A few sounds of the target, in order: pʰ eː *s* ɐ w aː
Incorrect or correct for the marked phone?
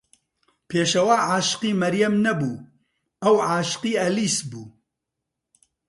incorrect: ʃ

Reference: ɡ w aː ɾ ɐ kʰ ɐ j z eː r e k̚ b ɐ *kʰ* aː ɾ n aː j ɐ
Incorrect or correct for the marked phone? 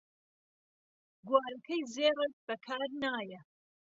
correct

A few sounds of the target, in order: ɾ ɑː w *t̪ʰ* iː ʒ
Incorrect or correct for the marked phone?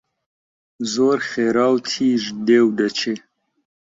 correct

